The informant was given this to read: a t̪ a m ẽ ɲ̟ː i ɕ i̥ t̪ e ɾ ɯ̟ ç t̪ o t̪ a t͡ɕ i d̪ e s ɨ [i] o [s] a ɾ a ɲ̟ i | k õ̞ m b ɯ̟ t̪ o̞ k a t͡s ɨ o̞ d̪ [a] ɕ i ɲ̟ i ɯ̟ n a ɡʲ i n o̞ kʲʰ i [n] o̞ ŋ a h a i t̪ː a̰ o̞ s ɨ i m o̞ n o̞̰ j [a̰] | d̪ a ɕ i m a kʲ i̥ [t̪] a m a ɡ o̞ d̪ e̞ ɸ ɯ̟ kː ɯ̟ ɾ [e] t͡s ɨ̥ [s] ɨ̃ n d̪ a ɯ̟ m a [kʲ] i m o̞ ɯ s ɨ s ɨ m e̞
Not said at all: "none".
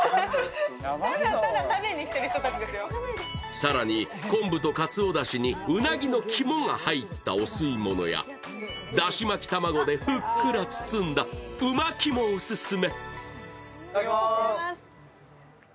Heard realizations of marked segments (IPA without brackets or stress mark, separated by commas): j, s, a, m, a̰, t̪, a, t͡s, kʲ